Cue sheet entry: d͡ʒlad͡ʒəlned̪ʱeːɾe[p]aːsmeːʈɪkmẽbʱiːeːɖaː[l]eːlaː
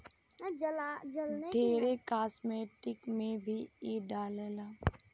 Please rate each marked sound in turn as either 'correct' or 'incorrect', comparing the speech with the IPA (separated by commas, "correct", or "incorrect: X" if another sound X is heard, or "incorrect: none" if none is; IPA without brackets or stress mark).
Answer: incorrect: k, correct